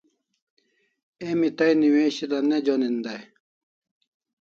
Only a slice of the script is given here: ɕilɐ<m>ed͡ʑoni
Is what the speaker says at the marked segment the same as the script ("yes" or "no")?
no